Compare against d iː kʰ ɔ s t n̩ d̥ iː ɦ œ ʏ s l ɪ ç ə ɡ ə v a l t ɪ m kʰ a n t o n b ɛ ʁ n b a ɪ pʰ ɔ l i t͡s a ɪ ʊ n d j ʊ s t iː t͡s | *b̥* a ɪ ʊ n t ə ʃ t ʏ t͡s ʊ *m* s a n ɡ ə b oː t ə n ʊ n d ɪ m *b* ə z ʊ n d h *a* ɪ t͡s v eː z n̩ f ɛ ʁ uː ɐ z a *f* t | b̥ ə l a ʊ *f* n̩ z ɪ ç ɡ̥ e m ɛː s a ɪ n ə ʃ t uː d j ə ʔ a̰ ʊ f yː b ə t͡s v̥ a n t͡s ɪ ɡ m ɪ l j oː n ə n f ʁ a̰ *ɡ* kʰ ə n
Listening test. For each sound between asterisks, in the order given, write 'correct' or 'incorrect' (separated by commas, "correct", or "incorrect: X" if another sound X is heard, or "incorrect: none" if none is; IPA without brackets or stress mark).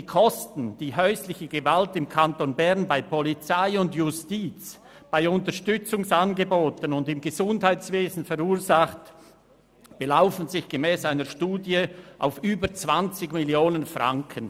correct, incorrect: ŋ, incorrect: ɡ, correct, incorrect: χ, correct, incorrect: ŋ